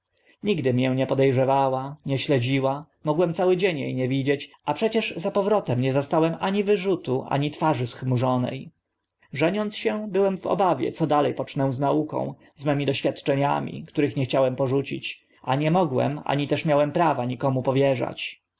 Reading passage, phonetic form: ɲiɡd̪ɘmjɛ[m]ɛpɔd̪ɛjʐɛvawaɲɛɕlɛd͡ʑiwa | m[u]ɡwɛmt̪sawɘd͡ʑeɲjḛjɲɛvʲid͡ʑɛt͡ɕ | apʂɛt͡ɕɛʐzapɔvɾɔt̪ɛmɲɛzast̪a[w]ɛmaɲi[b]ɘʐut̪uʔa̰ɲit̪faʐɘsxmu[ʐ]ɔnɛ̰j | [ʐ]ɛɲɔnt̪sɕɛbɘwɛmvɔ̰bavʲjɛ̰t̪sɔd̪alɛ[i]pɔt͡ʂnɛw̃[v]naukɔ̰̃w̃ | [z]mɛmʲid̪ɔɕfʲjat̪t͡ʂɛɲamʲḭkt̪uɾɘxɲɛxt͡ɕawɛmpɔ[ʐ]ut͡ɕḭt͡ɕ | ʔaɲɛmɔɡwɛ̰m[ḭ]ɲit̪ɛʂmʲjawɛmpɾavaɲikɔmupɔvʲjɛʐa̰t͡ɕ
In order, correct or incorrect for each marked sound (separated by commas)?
incorrect, incorrect, correct, incorrect, correct, correct, incorrect, incorrect, correct, correct, incorrect